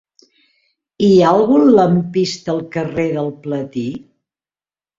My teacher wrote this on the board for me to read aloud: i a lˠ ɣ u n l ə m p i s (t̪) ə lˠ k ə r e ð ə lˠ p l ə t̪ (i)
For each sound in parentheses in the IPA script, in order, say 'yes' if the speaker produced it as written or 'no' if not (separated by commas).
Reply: yes, yes